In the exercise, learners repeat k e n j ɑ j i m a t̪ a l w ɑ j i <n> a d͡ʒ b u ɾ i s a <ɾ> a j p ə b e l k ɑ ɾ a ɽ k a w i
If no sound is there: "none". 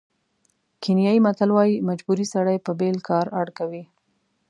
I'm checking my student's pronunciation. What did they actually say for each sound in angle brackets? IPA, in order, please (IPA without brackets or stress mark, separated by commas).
m, ɽ